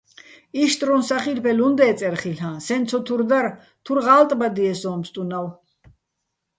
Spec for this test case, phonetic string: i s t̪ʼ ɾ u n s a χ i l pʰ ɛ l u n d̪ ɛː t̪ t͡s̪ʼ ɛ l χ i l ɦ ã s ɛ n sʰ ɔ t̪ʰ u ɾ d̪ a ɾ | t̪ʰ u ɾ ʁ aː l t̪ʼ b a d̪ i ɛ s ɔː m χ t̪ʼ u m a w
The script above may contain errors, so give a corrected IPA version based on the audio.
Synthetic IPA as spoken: i ʃ t̪ʼ ɾ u n s a χ i l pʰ ɛ l u n d̪ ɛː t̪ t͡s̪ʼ ɛ ɾ χ i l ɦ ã s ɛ n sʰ ɔ t̪ʰ u ɾ d̪ a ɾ | t̪ʰ u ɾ ʁ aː l t̪ʼ b a d̪ i ɛ s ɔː m s t̪ʼ u n a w

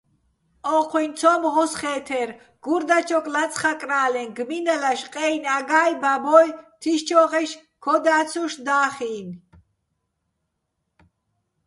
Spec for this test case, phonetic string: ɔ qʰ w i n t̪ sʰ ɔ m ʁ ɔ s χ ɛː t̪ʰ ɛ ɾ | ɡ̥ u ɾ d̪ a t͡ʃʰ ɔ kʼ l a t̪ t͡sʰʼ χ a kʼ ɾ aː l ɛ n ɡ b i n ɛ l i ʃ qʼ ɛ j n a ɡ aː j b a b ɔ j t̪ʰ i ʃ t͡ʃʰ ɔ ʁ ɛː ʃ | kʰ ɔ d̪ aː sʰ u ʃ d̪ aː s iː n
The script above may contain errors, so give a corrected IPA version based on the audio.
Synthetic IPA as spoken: ɔ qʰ w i n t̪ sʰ ɔ m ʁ ɔ s χ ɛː t̪ʰ ɛ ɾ | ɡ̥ u ɾ d̪ a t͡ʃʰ ɔ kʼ l a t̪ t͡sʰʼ χ a kʼ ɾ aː l ɛ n ɡ m i n ɛ l a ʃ qʼ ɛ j n a ɡ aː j b a b ɔ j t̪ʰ i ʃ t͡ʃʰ ɔ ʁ ɛ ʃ | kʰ ɔ d̪ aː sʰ u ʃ d̪ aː χ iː n

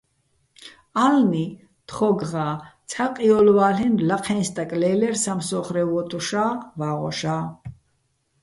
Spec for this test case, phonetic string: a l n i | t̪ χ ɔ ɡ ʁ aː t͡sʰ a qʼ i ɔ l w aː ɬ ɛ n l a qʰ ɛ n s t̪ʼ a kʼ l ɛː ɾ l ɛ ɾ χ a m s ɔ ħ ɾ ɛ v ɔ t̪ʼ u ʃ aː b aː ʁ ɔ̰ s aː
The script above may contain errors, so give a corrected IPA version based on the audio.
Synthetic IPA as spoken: a l n i | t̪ χ ɔ ɡ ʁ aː t͡sʰ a qʼ i ɔ l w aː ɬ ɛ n l a qʰ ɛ n s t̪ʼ a kʼ l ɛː l ɛ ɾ s a m s ɔ χ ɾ ɛ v ɔ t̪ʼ u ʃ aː v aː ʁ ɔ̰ ʃ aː

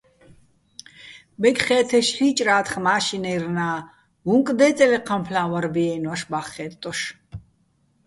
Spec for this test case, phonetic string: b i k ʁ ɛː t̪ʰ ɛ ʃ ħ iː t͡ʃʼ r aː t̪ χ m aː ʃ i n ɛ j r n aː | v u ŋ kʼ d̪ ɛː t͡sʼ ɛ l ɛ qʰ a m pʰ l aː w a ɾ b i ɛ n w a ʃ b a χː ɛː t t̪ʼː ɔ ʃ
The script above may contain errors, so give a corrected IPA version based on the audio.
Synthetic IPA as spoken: b ɛ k χ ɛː t̪ʰ ɛ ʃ ħ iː t͡ʃʼ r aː t̪ χ m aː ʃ i n ɛ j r n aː | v u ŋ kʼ d̪ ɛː t͡sʼ ɛ l ɛ qʰ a m pʰ l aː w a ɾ b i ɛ n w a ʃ b a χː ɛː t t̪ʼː ɔ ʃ

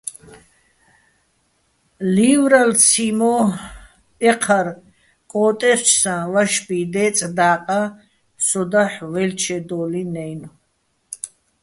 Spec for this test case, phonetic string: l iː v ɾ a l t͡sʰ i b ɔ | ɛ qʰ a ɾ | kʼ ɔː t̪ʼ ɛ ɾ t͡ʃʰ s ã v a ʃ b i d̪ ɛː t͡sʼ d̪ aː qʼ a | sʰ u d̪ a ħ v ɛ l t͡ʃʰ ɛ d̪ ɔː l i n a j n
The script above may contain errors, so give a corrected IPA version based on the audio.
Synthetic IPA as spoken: l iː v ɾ a l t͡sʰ i m ɔ | ɛ qʰ a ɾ | kʼ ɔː t̪ʼ ɛ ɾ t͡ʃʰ s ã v a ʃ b i d̪ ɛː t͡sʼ d̪ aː qʼ a | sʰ ɔ d̪ a ħ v ɛ l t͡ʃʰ ɛ d̪ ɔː l i n ɛ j n

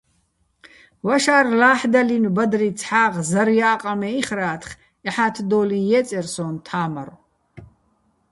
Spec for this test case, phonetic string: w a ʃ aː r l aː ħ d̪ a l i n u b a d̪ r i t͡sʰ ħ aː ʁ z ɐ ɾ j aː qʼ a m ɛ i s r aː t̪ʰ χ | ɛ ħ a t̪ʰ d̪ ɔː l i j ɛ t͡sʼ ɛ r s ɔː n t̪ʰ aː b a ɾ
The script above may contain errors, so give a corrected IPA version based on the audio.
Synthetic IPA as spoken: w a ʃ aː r l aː ħ d̪ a l i n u b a d̪ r i t͡sʰ ħ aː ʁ z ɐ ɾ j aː qʼ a m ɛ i χ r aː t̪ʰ χ | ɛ ħ a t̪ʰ d̪ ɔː l i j ɛ t͡sʼ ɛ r s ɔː n t̪ʰ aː m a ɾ

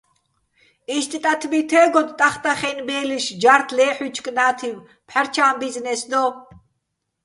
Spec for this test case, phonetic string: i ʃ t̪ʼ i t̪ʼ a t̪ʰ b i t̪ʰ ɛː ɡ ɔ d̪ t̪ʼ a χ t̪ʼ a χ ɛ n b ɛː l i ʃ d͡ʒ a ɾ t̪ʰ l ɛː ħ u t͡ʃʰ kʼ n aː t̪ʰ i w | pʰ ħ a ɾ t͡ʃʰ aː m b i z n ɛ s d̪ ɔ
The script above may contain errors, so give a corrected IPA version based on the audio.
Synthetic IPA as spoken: i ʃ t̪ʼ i t̪ʼ a t̪ʰ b i t̪ʰ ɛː ɡ ɔ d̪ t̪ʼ a χ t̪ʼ a χ ɛ n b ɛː l i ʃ d͡ʒ a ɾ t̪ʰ l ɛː ħ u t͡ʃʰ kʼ n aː t̪ʰ i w | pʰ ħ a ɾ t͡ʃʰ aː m b i z n ɛ s d̪ ɔ

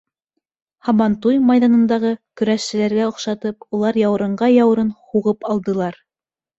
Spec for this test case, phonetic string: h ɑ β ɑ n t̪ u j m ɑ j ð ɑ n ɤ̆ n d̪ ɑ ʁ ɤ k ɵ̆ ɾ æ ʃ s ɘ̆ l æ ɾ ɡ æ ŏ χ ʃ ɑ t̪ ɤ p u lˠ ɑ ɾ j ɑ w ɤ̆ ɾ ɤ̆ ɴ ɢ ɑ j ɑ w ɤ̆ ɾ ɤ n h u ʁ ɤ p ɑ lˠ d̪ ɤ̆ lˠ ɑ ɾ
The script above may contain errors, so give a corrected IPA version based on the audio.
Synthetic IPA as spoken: h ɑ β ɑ n t̪ u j m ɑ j ð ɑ n ɤ̆ n d̪ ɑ ʁ ɤ k ɵ̆ ɾ æ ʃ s ɘ̆ l æ ɾ ɡ æ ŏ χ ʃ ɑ t̪ ɤ p u lˠ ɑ ɾ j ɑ w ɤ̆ ɾ ɤ̆ ɴ ɢ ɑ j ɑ w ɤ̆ ɾ ɤ n h u ʁ ɤ p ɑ lˠ d̪ ɤ̆ lˠ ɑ ɾ

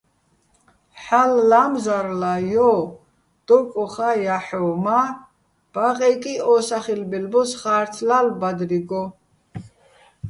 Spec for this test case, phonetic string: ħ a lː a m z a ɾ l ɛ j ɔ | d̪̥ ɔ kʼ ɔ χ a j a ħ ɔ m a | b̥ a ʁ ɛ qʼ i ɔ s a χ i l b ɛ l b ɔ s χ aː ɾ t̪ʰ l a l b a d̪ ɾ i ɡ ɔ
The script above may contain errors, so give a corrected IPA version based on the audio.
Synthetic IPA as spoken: ħ a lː a m z a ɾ l a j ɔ | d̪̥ ɔ kʼ ɔ χ a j a ħ ɔ m a | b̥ a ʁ ɛ kʼ i ɔ s a χ i l b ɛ l b ɔ s χ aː ɾ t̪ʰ l a l b a d̪ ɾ i ɡ ɔ

